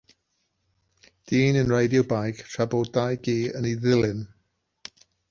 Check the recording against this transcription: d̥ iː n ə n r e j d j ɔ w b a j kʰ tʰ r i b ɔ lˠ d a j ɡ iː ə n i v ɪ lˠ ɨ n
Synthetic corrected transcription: d̥ iː n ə n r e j d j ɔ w b a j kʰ tʰ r a b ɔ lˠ d a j ɡ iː ə n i ð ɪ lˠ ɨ n